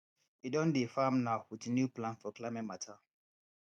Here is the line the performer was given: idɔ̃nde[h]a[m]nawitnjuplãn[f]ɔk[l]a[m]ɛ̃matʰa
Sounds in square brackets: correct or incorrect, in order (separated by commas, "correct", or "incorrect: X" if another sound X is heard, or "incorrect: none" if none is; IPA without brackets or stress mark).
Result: incorrect: f, correct, correct, correct, correct